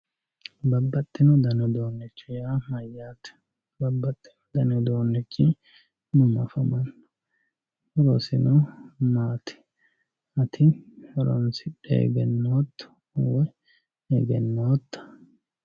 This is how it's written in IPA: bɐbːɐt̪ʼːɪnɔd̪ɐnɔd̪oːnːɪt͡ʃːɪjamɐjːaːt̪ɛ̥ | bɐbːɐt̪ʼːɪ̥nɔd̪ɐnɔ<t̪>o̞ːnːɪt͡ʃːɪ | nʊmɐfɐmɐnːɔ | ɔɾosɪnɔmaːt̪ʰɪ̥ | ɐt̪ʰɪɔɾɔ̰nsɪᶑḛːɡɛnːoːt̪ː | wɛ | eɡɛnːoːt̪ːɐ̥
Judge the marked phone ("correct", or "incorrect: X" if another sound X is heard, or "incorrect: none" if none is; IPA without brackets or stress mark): incorrect: d̪